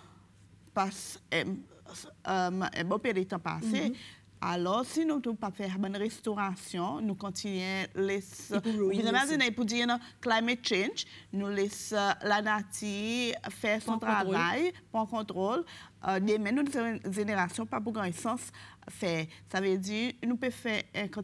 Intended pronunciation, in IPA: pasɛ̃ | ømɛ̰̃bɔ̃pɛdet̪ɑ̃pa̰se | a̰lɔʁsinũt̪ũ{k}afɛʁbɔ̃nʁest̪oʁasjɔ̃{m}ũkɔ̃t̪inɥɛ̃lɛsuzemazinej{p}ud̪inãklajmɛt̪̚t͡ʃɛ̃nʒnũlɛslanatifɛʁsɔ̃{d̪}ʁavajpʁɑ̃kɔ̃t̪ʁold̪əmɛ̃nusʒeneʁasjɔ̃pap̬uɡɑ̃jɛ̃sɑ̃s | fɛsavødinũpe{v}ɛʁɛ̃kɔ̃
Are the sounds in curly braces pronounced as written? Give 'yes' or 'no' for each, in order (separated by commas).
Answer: no, no, yes, no, no